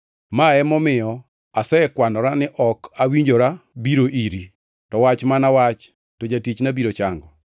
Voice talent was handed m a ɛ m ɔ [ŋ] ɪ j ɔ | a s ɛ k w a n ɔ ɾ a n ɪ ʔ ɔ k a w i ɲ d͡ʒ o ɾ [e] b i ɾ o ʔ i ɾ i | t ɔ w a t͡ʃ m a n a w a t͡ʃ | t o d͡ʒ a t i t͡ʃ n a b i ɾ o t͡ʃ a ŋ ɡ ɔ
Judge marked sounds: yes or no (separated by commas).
no, no